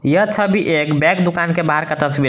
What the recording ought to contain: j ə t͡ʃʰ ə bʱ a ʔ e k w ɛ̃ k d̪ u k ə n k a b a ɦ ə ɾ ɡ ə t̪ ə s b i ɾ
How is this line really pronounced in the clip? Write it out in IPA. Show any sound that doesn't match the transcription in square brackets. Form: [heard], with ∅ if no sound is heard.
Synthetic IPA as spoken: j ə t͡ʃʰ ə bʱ [i] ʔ e k [b] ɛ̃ k d̪ u k [a] n k [e] b a ɦ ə ɾ [k] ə t̪ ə s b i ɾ